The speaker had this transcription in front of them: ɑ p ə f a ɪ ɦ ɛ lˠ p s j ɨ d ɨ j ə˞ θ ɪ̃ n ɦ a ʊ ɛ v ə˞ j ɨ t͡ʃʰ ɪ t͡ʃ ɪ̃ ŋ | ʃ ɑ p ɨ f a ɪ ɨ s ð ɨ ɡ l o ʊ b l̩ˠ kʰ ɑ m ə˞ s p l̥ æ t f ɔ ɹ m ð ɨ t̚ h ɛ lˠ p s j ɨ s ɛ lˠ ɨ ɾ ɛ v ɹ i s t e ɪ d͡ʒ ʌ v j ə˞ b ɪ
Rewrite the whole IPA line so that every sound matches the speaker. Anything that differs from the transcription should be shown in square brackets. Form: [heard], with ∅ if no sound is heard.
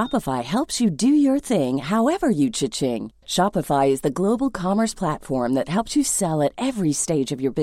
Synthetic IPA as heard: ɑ p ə f a ɪ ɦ ɛ lˠ p s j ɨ d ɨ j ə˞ θ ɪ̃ [ŋ] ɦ a ʊ ɛ v ə˞ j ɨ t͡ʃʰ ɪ t͡ʃ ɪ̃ ŋ | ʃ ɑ p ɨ f a ɪ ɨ [z] ð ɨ ɡ l o ʊ b l̩ˠ kʰ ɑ m ə˞ s [pʰ] l̥ æ t f ɔ ɹ m ð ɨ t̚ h ɛ lˠ p s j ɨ s ɛ lˠ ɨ ɾ ɛ v ɹ i s t e ɪ d͡ʒ ʌ v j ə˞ b ɪ